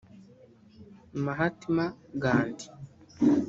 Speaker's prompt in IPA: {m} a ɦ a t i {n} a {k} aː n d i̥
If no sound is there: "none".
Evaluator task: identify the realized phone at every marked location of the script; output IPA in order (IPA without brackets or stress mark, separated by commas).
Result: m, m, ɡ